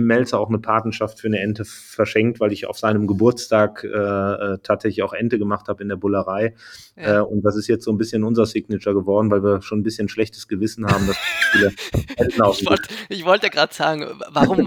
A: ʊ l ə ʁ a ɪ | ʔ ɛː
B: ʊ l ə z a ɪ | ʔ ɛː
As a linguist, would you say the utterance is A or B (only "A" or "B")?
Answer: A